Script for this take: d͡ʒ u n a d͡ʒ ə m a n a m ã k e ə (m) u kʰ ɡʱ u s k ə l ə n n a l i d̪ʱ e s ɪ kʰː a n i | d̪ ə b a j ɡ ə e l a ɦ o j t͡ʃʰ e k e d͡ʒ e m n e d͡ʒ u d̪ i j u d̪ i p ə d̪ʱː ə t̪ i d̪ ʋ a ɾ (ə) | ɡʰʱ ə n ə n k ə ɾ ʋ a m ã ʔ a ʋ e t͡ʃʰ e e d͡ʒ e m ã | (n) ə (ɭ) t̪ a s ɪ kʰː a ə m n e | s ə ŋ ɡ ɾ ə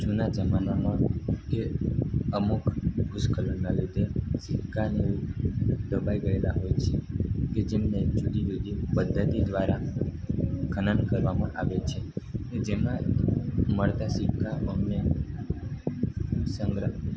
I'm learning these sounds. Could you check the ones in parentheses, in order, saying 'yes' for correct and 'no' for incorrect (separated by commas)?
yes, no, no, yes